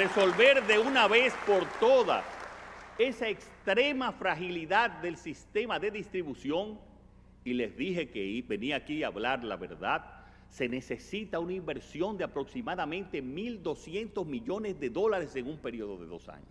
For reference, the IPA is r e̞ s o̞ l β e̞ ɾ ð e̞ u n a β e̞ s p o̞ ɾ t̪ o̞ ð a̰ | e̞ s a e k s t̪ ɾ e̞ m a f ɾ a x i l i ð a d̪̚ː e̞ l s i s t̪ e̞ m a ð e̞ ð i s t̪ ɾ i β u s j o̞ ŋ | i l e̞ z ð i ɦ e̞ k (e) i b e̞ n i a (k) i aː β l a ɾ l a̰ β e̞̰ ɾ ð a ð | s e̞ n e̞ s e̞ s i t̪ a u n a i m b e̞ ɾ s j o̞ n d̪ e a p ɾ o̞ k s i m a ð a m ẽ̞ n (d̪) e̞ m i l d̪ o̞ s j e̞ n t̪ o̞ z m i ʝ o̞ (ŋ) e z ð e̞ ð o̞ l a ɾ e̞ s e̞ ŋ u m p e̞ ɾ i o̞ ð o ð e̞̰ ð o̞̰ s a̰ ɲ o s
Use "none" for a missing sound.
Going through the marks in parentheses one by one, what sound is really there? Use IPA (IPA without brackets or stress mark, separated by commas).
e, k, t̪, n